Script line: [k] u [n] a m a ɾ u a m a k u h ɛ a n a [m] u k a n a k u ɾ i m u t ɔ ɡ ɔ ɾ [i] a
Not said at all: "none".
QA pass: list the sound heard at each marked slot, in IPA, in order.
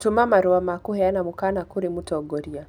t, m, m, i

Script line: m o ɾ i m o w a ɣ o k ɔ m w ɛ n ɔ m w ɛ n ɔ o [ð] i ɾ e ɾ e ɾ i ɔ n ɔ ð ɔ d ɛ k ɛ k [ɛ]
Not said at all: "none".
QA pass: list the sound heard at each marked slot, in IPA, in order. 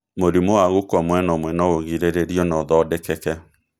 ɣ, ɛ

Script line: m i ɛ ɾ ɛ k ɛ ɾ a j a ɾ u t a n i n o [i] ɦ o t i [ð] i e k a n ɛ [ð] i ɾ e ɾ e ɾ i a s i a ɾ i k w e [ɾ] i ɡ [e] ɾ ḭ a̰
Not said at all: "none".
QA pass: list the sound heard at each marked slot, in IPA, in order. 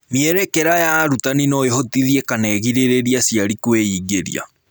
e, ð, ɣ, none, e

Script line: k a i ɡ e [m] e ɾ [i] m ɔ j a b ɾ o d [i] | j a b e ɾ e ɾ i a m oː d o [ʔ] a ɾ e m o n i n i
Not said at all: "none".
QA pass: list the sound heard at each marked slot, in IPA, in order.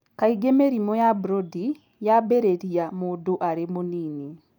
m, i, i, ʔ

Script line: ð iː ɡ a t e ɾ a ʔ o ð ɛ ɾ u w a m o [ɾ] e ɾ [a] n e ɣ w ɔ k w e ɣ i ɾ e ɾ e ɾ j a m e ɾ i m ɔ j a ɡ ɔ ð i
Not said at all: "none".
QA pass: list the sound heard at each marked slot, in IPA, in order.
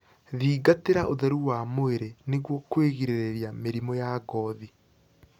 none, e

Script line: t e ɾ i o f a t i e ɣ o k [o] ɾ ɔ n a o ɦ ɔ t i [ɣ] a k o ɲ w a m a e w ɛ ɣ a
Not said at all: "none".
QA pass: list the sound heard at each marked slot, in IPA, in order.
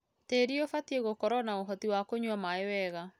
ɔ, w

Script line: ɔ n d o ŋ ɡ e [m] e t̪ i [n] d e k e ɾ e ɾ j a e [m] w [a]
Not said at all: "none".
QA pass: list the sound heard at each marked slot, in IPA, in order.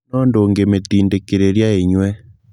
m, n, ɲ, ɛ

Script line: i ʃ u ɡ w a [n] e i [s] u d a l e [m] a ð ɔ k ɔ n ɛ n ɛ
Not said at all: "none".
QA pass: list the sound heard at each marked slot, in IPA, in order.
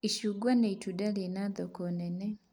n, t, n

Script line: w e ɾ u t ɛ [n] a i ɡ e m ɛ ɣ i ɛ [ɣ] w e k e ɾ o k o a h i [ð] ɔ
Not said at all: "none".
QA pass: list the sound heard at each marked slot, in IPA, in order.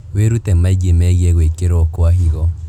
m, ɣ, ɣ

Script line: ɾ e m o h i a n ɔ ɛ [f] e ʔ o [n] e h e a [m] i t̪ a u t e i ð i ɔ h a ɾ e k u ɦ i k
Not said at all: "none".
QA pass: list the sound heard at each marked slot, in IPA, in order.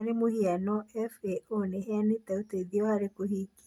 f, n, n

